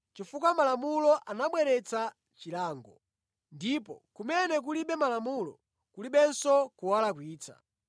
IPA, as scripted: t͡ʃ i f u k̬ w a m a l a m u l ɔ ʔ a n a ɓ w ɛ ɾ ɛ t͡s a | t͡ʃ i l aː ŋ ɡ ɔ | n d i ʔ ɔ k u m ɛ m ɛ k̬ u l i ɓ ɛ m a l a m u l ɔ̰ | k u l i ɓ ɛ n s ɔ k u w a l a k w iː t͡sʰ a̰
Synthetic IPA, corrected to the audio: t͡ʃ i f u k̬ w a m a l a m u l ɔ ʔ a n a ɓ w ɛ ɾ ɛ t͡s a | t͡ʃ i l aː ŋ ɡ ɔ | n d i p ɔ k u m ɛ n ɛ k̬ u l i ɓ ɛ m a l a m u l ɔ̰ | k u l i ɓ ɛ n s ɔ k u w a l a k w iː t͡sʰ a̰